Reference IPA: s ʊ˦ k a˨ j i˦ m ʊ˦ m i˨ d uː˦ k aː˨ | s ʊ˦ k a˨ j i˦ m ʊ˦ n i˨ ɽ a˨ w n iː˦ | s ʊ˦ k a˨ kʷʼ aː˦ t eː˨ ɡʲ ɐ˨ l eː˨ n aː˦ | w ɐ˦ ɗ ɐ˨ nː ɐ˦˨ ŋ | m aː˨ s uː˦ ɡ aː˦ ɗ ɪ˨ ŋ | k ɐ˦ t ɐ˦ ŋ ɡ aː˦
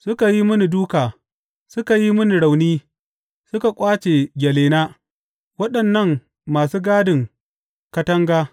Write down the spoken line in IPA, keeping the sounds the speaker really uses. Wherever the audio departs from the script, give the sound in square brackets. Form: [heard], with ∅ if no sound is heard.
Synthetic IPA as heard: s ʊ˦ k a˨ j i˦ m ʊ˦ [n] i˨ d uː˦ k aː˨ | s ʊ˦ k a˨ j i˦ m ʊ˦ n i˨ ɽ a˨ w n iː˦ | s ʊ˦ k a˨ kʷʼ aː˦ [t͡ʃ] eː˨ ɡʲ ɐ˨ l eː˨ n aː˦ | w ɐ˦ ɗ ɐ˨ nː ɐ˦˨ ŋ | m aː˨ s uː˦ ɡ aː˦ [d] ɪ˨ ŋ | k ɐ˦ t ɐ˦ ŋ ɡ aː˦